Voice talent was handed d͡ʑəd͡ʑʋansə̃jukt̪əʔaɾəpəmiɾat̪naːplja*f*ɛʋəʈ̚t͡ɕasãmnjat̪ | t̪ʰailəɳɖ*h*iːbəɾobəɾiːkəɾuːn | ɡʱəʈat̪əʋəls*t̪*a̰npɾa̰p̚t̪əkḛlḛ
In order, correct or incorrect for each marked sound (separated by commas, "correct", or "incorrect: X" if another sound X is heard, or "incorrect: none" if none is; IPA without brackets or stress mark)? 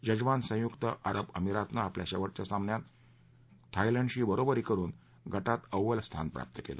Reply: incorrect: ɕ, incorrect: ɕ, incorrect: t̪ʰ